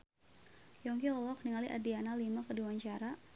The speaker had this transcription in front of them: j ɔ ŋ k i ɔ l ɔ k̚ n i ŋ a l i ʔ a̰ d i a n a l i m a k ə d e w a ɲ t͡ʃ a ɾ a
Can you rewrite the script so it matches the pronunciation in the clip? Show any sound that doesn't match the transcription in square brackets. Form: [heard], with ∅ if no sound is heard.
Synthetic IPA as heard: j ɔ ŋ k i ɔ l ɔ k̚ n i ŋ a l i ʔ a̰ d i a n a l i m a k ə d [i] w a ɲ t͡ʃ a ɾ a